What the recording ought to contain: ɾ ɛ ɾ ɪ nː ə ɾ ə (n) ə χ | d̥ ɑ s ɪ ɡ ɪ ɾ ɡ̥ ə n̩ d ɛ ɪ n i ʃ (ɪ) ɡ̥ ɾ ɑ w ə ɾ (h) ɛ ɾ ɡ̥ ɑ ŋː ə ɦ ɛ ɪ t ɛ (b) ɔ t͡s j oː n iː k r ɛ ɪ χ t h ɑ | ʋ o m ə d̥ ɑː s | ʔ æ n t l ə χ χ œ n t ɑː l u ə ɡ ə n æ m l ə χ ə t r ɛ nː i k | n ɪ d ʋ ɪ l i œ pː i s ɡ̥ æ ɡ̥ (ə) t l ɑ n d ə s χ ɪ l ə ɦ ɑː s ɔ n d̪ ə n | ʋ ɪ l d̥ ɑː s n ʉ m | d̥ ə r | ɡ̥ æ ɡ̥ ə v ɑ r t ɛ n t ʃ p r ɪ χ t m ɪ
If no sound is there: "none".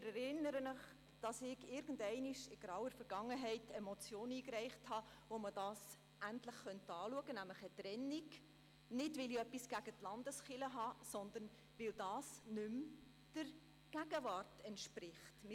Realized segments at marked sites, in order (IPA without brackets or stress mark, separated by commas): n, ɪ, f, m, ə